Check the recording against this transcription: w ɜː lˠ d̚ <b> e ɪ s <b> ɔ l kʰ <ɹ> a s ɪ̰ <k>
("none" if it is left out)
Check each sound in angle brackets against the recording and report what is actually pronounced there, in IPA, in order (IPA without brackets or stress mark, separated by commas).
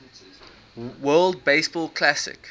b, b, l, k